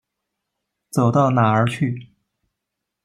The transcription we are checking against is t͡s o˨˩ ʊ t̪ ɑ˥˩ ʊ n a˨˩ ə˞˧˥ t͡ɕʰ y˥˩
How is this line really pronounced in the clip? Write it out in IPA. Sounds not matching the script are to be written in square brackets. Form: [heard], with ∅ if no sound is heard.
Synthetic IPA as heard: t͡s o˨˩ ʊ t̪ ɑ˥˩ ʊ n a˨˩ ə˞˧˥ t͡ɕʰ y˥˩